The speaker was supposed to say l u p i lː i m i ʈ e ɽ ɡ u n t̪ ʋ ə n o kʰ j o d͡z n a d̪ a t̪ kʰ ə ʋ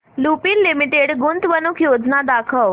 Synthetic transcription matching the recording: l u p i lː i m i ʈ e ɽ ɡ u n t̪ ʋ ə n u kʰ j o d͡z n a d̪ a kʰ ə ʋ